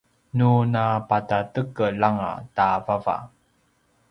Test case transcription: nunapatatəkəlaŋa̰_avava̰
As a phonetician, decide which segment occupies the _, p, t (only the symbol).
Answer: t